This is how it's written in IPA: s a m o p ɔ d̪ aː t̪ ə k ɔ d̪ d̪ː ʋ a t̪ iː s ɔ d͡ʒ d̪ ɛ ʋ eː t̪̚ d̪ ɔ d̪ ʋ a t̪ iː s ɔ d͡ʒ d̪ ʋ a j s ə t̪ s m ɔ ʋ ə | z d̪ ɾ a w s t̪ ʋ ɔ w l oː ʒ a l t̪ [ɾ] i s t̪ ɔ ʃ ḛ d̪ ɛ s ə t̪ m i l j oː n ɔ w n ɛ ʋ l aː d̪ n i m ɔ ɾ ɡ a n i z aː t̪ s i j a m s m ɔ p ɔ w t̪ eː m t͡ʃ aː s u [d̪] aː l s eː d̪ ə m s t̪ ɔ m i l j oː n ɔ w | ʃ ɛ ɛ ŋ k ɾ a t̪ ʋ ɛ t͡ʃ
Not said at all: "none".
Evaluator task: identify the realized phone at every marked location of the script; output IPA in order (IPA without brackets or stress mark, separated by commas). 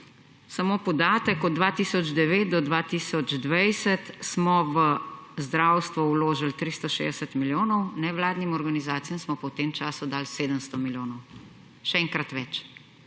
ɾ, d̪